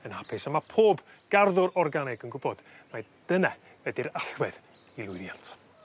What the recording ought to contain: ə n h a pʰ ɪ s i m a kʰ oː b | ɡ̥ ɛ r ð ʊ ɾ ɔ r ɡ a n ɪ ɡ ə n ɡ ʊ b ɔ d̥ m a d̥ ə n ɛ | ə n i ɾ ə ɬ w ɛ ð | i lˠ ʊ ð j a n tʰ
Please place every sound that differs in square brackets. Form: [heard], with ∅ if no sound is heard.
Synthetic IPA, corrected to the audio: ə n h a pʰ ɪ s [a] m a [pʰ] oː b | ɡ̥ [a] r ð ʊ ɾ ɔ r ɡ a n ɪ ɡ ə n ɡ ʊ b ɔ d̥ m a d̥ ə n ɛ | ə [d] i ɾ [a] ɬ w ɛ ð | i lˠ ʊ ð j a n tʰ